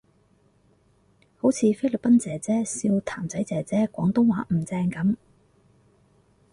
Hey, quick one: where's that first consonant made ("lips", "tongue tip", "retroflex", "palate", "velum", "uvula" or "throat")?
throat